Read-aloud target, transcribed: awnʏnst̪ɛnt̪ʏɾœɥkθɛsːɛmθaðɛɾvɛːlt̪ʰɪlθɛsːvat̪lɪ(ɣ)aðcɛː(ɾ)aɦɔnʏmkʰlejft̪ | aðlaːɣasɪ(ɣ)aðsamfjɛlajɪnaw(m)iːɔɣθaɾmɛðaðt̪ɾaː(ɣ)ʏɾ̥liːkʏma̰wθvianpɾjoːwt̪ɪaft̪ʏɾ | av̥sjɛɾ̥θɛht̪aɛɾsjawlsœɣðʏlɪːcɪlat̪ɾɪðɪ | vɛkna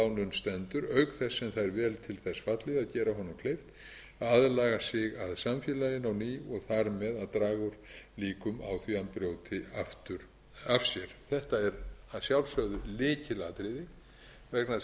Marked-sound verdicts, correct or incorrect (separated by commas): incorrect, correct, correct, incorrect, correct